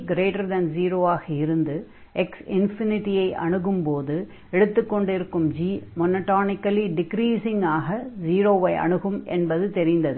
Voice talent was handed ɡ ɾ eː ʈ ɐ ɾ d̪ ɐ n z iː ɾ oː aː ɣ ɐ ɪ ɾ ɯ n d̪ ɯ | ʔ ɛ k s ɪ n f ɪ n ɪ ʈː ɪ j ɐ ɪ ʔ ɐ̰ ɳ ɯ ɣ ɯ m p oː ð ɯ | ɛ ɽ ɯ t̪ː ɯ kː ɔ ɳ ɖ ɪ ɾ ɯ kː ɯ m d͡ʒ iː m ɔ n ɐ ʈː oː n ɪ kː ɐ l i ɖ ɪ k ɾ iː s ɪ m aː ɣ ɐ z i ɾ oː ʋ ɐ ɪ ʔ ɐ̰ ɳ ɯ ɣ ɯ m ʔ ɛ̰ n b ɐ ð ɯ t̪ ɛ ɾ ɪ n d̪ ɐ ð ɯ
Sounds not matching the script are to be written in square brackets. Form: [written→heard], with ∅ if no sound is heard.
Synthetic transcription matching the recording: ɡ ɾ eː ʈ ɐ ɾ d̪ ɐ n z iː ɾ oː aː ɣ ɐ ɪ ɾ ɯ n d̪ ɯ | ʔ ɛ k s ɪ n f ɪ n ɪ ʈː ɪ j ɐ ɪ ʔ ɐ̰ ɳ ɯ ɣ ɯ m p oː ð ɯ | ɛ ɽ ɯ t̪ː ɯ kː ɔ ɳ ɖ ɪ ɾ ɯ kː ɯ m d͡ʒ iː m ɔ n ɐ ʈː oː n ɪ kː ɐ l i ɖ ɪ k ɾ iː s ɪ [m→ŋ] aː ɣ ɐ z [i→iː] ɾ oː ʋ ɐ ɪ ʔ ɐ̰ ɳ ɯ ɣ ɯ m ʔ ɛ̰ n b ɐ ð ɯ t̪ ɛ ɾ ɪ n d̪ ɐ ð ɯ